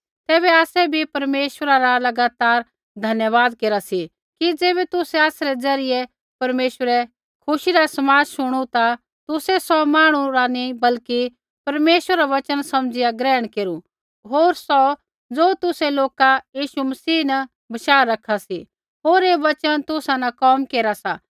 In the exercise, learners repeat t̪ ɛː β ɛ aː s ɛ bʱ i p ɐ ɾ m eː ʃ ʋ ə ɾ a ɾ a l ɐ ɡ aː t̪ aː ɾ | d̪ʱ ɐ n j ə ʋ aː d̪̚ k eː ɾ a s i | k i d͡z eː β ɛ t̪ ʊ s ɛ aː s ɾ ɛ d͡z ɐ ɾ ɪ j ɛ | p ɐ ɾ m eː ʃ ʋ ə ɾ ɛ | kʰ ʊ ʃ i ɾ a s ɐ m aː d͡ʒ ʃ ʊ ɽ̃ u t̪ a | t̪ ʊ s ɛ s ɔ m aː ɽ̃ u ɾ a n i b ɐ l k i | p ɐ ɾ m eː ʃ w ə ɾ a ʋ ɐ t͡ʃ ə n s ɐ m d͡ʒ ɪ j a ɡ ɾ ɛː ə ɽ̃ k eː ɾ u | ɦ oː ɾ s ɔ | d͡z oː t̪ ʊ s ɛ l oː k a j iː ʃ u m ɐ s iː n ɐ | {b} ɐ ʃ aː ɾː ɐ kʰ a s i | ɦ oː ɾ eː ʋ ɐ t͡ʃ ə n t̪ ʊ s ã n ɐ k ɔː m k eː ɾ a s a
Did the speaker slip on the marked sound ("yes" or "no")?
no